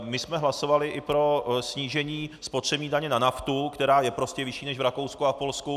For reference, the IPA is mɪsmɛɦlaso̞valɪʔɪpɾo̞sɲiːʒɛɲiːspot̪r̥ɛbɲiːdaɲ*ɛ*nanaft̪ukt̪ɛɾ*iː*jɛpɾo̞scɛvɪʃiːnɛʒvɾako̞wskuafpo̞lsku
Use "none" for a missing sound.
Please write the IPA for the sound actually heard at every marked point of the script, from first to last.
ɛ, aː

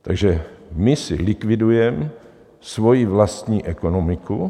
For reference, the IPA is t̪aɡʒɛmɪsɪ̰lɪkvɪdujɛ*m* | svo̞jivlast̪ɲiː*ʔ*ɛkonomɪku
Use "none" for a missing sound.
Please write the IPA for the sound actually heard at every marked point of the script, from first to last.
m, ʔ

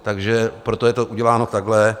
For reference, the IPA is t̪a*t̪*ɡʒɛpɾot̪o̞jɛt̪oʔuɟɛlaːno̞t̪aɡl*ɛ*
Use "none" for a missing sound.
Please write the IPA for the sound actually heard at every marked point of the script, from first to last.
none, ɛ

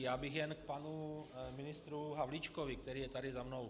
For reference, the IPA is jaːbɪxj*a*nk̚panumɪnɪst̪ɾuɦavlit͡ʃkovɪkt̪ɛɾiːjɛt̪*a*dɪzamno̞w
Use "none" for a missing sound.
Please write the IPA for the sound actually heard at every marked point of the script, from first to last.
ɛ, a

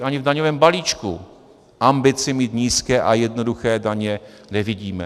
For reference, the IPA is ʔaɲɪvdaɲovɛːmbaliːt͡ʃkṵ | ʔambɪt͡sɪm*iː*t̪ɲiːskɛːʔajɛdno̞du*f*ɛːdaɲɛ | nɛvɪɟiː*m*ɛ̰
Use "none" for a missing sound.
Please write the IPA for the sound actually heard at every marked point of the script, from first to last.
iː, x, m

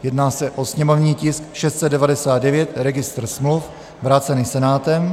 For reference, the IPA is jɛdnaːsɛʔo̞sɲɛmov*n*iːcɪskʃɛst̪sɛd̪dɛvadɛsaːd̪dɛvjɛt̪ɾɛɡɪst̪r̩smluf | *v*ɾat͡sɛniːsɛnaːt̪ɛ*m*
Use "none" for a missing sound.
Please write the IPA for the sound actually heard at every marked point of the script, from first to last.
ɲ, v, m

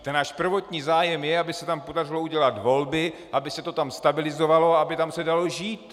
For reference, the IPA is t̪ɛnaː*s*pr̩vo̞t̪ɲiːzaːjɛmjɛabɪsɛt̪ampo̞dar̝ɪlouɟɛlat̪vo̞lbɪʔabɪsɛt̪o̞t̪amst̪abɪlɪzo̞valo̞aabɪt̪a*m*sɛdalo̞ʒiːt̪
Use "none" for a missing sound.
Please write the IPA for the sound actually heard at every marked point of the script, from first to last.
ʃ, m

